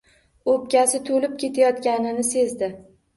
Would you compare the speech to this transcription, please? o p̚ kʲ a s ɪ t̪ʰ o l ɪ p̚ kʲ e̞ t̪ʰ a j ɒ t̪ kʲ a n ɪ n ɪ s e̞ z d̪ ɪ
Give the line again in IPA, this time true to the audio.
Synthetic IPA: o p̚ kʲ a s ɪ t̪ʰ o l ɪ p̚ kʲ e̞ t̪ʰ a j ɒ t̪ kʲ a n ɪ n ɪ s e̞ z d̪ ɪ